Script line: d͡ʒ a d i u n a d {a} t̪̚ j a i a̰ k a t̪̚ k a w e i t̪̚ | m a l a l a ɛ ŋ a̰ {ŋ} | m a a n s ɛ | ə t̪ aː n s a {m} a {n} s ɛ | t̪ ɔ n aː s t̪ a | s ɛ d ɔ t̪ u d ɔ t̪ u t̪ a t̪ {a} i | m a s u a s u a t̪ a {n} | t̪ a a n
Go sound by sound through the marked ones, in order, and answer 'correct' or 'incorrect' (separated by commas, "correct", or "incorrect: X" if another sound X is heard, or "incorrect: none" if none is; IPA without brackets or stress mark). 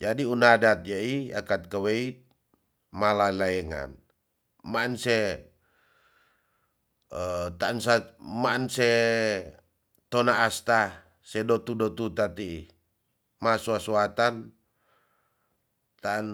correct, incorrect: n, correct, correct, incorrect: i, correct